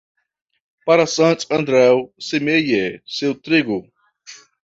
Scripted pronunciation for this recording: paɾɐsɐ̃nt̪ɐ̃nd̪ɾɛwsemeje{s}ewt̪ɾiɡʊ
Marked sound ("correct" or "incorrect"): correct